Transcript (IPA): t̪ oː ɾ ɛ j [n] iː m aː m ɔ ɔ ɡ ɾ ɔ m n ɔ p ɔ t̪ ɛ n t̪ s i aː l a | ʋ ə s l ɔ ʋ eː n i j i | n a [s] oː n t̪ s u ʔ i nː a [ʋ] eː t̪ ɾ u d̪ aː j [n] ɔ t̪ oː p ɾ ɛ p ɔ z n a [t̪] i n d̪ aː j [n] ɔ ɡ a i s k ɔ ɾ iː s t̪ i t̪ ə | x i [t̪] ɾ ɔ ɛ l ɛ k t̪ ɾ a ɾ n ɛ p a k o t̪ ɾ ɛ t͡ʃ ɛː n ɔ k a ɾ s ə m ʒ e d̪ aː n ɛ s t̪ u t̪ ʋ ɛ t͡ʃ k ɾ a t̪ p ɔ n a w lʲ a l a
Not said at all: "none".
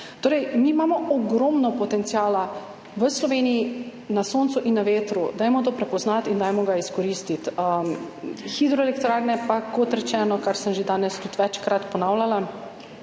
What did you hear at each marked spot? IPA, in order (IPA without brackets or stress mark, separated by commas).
m, s, ʋ, m, t̪, m, d̪